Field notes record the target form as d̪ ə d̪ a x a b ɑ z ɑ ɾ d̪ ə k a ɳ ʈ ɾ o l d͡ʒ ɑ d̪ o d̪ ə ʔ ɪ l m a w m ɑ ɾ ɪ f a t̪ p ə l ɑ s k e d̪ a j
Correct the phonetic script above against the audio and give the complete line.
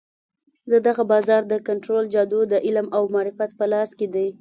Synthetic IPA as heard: d̪ ə d̪ a ɣ a b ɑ z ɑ ɾ d̪ ə k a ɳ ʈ ɾ o l d͡ʒ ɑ d̪ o d̪ ə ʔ ɪ l m a w m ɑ ɾ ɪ f a t̪ p ə l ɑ s k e d̪ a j